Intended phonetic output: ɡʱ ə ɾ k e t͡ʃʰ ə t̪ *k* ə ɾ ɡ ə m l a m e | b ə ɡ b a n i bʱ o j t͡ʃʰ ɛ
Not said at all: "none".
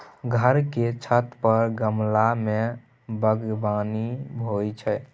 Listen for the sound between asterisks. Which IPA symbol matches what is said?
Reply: p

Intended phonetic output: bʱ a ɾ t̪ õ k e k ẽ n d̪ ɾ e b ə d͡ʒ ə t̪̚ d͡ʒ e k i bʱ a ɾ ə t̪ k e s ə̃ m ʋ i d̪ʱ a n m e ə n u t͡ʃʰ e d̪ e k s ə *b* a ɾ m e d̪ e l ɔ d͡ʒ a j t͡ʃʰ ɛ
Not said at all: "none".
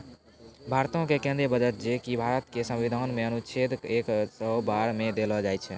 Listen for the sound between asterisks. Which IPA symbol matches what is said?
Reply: b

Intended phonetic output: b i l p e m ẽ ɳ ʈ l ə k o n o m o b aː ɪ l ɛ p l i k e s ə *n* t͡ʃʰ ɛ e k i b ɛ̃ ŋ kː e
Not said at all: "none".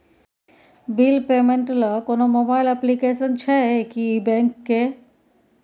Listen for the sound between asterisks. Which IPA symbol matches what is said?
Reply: n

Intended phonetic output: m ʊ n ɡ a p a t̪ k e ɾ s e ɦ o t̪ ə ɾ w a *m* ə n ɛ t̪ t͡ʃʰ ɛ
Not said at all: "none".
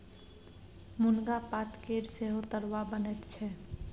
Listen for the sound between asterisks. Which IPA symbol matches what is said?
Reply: b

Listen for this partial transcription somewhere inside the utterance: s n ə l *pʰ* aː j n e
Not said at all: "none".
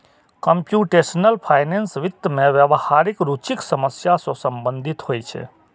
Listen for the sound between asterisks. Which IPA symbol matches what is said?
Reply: pʰ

